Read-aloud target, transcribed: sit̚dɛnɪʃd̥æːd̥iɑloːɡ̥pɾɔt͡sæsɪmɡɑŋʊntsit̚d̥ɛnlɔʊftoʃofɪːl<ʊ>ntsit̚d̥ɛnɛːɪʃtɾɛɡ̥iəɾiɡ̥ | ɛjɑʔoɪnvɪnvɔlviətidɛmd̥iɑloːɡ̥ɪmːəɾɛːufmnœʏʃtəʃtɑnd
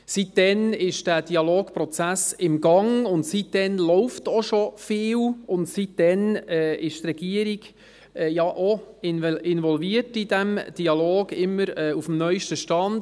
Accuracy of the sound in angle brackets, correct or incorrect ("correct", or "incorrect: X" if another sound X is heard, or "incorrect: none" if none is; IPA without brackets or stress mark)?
correct